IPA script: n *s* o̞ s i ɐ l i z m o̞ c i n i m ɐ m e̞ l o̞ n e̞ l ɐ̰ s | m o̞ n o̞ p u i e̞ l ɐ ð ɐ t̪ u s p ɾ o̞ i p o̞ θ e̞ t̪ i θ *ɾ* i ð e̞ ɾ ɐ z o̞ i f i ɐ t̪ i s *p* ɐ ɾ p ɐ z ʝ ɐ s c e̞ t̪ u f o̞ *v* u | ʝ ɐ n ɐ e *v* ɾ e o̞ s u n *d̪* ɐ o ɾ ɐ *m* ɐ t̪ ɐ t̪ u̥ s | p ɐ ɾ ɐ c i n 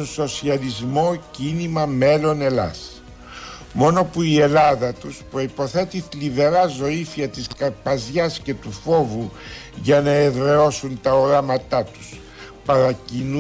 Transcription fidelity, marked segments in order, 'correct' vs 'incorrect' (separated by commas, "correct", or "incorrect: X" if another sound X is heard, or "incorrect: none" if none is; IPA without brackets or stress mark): correct, incorrect: l, incorrect: k, correct, incorrect: ð, incorrect: t̪, correct